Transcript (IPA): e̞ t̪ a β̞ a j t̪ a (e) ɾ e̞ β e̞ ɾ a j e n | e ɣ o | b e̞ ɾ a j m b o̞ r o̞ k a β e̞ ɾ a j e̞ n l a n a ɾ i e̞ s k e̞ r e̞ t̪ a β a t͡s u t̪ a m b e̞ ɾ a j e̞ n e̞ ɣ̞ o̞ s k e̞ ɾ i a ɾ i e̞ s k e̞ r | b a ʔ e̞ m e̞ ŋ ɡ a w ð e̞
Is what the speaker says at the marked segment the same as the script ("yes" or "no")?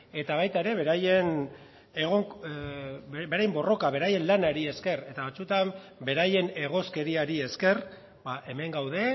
yes